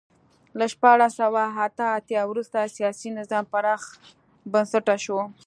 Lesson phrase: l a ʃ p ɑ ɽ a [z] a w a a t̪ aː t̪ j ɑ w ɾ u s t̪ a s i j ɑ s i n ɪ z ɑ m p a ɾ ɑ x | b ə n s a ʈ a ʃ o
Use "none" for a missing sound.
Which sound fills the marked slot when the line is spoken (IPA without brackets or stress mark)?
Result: s